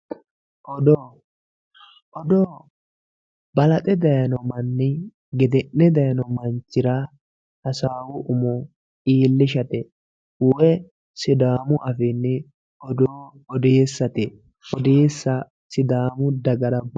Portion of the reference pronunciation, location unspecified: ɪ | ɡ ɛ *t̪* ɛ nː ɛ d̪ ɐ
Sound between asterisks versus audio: incorrect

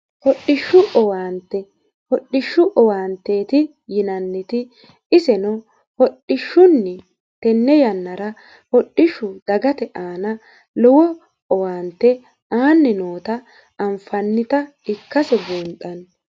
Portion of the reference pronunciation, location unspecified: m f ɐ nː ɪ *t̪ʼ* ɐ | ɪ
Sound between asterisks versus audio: incorrect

